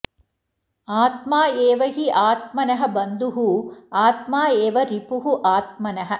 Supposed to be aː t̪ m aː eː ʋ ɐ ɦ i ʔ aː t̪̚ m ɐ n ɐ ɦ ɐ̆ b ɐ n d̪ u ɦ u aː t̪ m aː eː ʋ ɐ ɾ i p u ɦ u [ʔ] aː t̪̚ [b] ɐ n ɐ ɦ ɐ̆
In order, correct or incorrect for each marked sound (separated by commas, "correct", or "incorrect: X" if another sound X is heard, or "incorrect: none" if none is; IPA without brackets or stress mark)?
correct, incorrect: m